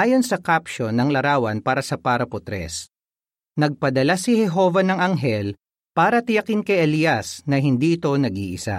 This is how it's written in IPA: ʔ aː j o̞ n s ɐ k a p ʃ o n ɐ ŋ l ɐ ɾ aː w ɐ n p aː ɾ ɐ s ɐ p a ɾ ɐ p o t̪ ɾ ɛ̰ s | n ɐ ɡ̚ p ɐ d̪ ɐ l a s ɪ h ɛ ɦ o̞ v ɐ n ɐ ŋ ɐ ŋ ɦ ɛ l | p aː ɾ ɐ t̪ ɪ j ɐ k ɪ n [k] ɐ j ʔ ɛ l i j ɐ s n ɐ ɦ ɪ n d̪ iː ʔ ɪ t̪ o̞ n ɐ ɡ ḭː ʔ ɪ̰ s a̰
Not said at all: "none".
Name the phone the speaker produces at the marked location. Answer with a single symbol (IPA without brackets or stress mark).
k